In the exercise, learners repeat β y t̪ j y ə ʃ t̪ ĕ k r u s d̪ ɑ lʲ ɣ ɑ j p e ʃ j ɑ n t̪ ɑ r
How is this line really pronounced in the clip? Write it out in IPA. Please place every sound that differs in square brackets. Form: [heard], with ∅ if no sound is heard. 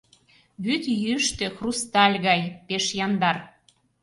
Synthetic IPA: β y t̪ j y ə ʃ t̪ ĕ [x] r u s [t̪] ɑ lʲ ɣ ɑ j p e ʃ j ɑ n [d̪] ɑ r